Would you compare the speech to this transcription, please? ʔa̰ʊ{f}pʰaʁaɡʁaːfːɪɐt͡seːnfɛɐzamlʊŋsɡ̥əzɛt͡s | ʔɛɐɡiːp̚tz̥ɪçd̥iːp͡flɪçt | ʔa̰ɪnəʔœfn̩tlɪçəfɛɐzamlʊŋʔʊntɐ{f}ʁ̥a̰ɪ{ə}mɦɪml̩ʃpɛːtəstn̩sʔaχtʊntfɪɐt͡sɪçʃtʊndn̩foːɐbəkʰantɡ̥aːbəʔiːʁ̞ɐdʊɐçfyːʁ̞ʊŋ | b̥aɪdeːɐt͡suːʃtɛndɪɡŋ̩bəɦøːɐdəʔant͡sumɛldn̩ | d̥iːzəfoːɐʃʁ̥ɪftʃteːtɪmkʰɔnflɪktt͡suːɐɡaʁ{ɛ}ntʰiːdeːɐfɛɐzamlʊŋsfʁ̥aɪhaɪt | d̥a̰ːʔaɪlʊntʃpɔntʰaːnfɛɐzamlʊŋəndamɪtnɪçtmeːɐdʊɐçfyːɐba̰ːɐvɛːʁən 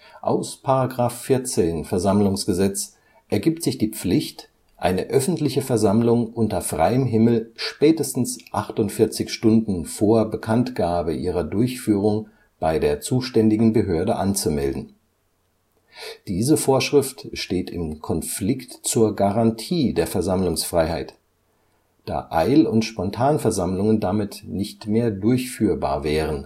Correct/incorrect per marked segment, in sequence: incorrect: s, correct, correct, incorrect: a

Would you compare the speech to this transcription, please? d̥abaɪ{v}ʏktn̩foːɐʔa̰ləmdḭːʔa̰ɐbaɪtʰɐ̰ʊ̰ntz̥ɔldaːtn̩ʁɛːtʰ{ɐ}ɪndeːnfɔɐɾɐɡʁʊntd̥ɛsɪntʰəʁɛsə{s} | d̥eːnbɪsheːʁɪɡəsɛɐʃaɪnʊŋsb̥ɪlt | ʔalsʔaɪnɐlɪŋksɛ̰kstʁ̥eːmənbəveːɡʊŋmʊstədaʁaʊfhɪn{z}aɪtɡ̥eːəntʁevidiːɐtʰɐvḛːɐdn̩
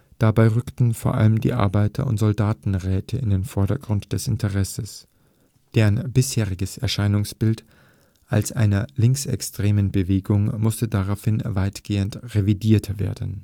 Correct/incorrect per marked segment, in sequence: incorrect: ʁ, incorrect: ə, correct, incorrect: v

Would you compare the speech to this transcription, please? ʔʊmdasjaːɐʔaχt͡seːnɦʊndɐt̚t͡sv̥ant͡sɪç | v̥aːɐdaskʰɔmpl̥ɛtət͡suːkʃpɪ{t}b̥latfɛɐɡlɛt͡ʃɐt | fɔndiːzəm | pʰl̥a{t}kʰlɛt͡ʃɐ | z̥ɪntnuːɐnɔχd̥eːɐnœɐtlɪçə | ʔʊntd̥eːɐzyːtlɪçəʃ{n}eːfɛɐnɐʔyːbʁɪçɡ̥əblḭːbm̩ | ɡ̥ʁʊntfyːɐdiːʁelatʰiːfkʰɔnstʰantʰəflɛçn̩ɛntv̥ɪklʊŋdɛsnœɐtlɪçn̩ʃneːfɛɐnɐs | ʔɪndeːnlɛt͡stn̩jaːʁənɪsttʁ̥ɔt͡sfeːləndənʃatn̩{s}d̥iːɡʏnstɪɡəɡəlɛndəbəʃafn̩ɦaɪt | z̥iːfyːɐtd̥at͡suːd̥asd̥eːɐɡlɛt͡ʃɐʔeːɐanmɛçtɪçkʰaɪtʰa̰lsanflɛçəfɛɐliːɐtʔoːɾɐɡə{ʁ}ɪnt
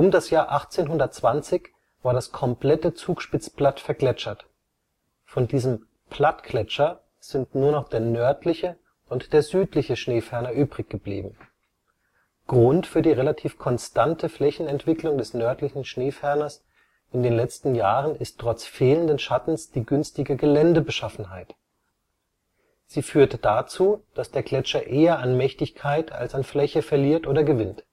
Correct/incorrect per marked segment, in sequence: incorrect: t͡s, correct, correct, correct, incorrect: v

